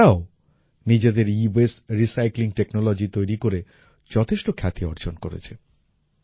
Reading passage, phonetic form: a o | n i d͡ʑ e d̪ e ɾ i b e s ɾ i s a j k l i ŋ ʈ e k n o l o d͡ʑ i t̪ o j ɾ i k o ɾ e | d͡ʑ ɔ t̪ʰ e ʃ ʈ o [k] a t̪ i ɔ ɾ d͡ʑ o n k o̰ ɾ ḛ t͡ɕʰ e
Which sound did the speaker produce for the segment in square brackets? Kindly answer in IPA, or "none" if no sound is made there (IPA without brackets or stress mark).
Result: kʰ